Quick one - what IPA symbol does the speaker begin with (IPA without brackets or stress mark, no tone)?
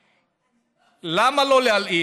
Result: l